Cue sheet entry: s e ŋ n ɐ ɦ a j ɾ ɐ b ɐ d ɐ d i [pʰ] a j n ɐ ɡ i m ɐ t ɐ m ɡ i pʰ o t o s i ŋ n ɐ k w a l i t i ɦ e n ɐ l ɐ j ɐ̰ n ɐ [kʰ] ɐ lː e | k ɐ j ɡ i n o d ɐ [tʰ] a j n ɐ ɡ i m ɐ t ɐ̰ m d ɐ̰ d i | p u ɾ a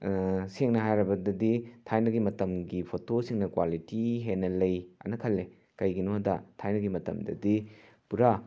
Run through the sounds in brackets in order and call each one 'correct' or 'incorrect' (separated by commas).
incorrect, correct, correct